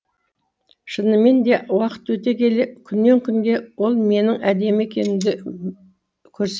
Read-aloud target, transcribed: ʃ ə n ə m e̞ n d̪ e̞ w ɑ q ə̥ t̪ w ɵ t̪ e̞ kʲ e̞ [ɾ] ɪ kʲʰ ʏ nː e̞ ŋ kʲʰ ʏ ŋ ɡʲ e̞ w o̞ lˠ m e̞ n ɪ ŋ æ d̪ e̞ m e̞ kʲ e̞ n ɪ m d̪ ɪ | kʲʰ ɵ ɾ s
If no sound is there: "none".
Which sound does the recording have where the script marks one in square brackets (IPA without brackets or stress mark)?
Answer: l